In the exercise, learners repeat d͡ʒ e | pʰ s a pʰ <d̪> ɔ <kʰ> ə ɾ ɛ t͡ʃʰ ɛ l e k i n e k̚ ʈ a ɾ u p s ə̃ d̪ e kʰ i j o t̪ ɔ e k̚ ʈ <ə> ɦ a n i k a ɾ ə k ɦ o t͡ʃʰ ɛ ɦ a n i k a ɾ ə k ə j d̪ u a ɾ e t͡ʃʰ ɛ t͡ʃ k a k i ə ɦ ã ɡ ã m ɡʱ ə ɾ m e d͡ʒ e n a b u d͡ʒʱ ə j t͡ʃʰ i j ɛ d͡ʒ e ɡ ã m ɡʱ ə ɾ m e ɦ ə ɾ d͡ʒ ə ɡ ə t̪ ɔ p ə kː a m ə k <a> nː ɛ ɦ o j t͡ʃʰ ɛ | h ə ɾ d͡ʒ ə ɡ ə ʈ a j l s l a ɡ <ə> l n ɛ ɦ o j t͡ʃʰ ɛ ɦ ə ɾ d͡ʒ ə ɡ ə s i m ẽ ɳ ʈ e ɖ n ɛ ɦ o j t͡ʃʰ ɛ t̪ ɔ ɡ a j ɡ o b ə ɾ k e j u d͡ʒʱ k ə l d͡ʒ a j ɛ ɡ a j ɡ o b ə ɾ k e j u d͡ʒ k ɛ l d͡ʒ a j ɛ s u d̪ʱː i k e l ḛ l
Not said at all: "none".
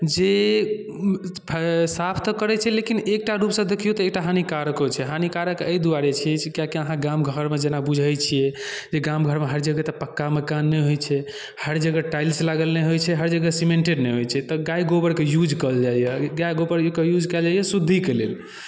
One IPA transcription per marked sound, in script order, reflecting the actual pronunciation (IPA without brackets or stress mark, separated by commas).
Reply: t̪, k, a, a, ə